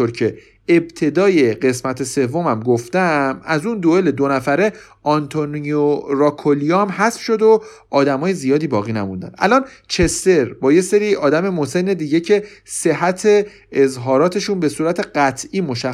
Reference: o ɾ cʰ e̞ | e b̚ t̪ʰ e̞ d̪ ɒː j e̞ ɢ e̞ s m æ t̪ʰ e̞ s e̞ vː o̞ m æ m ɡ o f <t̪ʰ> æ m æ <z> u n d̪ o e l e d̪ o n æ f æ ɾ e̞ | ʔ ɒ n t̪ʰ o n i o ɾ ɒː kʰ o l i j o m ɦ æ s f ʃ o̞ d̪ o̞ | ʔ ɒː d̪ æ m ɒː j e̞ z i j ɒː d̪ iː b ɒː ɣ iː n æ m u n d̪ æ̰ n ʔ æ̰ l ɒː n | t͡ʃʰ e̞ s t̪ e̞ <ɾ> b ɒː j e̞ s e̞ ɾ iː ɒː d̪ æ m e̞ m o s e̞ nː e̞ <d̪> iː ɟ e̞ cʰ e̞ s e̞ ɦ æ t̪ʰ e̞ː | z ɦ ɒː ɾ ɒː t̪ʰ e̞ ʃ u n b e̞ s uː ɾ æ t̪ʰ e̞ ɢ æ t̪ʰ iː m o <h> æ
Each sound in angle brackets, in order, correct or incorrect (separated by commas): incorrect, correct, correct, correct, incorrect